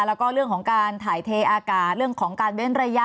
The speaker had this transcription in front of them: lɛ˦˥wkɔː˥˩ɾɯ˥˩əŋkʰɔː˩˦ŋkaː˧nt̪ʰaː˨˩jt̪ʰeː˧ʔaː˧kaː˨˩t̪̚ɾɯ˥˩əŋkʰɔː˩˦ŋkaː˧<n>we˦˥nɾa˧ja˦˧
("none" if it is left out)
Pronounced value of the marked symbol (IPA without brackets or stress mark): n